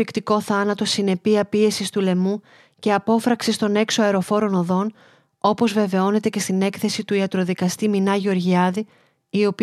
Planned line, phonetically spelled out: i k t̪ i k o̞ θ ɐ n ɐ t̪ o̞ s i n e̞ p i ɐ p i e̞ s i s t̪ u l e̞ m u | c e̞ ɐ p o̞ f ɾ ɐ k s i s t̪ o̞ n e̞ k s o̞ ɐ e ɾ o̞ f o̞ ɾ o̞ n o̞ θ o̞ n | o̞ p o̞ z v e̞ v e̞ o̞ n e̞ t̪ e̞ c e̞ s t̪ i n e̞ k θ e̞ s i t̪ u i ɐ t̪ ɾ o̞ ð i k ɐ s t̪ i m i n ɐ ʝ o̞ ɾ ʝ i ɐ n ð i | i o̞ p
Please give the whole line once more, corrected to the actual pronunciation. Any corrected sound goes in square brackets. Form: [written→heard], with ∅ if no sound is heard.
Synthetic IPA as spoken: i k t̪ i k o̞ θ ɐ n ɐ t̪ o̞ s i n e̞ p i ɐ p i e̞ s i s t̪ u l e̞ m u | c e̞ ɐ p o̞ f ɾ ɐ k s i s t̪ o̞ n e̞ k s o̞ ɐ e ɾ o̞ f o̞ ɾ o̞ n o̞ [θ→ð] o̞ n | o̞ p o̞ z v e̞ v e̞ o̞ n e̞ t̪ e̞ c e̞ s t̪ i n e̞ k θ e̞ s i t̪ u i ɐ t̪ ɾ o̞ ð i k ɐ s t̪ i m i n ɐ ʝ o̞ ɾ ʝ i ɐ [n→∅] ð i | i o̞ p